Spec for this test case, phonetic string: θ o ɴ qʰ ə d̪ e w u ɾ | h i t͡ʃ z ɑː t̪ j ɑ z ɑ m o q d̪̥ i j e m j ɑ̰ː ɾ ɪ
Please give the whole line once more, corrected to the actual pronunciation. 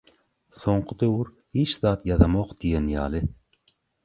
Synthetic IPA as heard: s o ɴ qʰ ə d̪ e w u ɾ | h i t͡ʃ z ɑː t̪ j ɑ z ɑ m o q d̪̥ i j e n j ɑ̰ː l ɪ